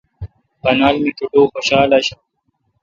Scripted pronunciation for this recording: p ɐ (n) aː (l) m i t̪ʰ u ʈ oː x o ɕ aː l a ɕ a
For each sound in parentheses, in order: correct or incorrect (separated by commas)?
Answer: correct, correct